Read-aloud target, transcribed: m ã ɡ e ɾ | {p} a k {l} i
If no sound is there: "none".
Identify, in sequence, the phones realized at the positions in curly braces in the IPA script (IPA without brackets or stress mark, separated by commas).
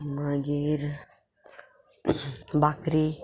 b, ɾ